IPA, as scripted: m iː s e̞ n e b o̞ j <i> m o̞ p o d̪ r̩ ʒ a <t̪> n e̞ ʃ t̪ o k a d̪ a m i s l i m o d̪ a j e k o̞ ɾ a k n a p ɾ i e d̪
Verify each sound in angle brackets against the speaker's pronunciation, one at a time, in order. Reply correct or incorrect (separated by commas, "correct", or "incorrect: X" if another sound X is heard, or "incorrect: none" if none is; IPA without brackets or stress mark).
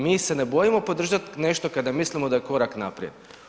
correct, correct